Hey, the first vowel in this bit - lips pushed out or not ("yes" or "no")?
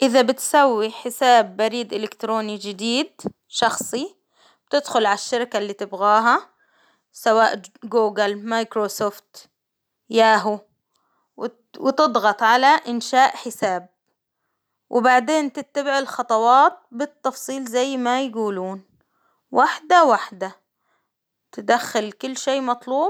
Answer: no